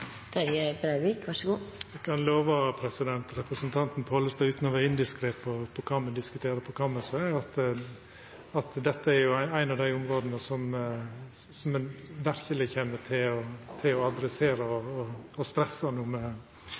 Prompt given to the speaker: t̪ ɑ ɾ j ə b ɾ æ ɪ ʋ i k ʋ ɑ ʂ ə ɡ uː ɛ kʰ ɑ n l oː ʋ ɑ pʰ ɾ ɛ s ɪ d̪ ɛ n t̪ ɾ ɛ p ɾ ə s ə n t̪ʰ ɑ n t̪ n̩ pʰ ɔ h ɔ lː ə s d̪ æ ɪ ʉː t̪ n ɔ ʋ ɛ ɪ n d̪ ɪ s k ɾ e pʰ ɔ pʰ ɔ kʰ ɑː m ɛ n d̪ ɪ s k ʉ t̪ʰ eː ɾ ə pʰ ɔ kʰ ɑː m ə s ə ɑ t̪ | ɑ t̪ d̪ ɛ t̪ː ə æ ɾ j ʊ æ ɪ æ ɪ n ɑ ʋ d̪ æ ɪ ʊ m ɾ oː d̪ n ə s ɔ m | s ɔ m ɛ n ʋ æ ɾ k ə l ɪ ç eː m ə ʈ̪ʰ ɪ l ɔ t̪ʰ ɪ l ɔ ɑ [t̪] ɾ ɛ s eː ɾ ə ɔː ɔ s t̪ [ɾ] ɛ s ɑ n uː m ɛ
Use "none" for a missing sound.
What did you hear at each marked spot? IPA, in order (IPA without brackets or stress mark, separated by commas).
d̪, ɾ